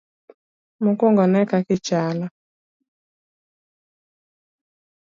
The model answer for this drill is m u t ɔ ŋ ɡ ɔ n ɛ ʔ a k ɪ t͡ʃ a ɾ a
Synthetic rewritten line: m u k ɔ ŋ ɡ ɔ n ɛ k a k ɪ t͡ʃ a l a